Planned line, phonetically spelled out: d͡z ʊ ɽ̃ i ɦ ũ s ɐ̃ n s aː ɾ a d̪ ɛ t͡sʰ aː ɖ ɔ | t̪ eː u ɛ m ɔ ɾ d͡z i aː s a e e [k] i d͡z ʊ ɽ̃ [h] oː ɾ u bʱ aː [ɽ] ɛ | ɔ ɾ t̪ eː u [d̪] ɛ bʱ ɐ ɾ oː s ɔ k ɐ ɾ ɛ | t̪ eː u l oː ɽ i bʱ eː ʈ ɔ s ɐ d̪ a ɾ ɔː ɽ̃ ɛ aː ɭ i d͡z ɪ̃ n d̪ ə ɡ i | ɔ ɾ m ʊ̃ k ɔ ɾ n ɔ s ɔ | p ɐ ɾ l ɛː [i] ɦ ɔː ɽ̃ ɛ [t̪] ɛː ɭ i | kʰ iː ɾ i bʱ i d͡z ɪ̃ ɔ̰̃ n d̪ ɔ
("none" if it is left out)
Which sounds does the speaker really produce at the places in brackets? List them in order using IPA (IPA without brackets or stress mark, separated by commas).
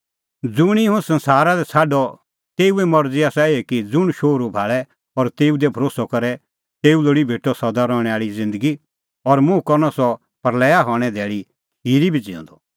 k, ʃ, ɭ, d̪, a, d̪